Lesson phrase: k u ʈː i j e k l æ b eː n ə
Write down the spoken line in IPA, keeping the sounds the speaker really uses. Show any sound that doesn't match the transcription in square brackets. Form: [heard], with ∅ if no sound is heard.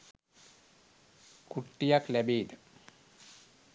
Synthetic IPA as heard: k u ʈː i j [a] k l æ b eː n ə